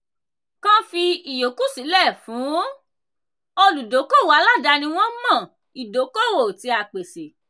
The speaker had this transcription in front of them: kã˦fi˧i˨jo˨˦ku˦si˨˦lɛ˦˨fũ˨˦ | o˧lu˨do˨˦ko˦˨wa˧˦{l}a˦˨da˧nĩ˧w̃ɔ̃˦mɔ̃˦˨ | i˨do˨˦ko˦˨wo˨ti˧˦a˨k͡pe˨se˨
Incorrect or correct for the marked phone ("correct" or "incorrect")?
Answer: correct